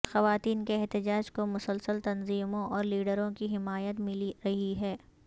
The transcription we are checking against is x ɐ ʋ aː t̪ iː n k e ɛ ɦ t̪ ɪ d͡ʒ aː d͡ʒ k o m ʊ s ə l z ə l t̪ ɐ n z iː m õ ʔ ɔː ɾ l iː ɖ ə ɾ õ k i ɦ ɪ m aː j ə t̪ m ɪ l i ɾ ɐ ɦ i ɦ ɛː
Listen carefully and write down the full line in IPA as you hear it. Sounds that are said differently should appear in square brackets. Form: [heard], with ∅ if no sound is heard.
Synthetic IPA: x ɐ ʋ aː t̪ iː n k e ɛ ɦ t̪ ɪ d͡ʒ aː d͡ʒ k o m ʊ s ə l [s] ə l t̪ ɐ n z iː m õ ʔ ɔː ɾ l iː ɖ ə ɾ õ k i ɦ ɪ m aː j ə t̪ m ɪ l i ɾ ɐ ɦ i ɦ ɛː